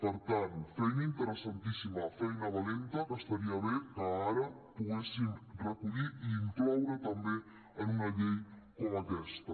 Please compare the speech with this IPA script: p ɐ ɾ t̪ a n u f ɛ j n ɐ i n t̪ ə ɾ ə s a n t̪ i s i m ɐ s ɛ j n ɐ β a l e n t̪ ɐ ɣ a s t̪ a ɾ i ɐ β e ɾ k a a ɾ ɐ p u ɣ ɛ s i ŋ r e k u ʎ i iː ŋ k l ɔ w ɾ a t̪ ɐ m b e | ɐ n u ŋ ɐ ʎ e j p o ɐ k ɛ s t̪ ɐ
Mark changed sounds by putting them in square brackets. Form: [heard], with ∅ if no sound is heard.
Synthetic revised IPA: p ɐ ɾ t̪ a n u f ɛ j n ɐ i n t̪ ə ɾ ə s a n t̪ i s i m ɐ [f] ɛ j n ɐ β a l e n t̪ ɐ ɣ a s t̪ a ɾ i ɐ β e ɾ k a a ɾ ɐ p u ɣ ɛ s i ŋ r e k u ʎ i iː ŋ k l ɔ w ɾ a t̪ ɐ m b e | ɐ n u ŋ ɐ ʎ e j [k] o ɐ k ɛ s t̪ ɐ